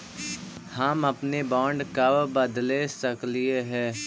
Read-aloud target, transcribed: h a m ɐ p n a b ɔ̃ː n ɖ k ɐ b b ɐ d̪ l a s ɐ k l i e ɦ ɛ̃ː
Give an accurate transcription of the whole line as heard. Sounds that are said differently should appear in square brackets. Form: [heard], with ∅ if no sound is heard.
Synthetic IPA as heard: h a m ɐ p n [e] b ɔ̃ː [ɳ] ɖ k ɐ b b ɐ d̪ l [e] s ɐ k l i e ɦ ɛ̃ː